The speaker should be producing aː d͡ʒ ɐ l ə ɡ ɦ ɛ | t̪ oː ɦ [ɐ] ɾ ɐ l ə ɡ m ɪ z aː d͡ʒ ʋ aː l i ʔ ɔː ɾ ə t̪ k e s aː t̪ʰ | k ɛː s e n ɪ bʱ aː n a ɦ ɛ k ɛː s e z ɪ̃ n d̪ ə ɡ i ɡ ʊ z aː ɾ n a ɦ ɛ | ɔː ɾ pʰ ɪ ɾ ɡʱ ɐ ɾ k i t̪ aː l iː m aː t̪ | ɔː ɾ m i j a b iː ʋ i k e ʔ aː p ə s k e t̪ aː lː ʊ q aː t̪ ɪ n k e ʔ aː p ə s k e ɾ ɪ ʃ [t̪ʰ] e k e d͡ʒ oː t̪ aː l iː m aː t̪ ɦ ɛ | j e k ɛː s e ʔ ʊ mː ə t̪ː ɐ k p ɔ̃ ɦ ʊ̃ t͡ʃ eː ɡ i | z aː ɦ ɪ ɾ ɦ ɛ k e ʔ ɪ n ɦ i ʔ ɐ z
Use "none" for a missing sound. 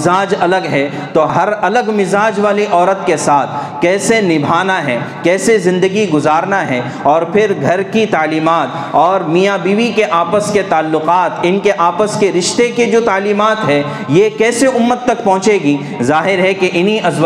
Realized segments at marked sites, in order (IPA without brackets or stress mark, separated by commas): ɐ, t̪